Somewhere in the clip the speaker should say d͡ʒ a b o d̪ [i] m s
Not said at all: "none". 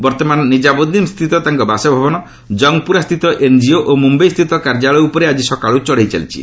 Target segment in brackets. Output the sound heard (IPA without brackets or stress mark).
i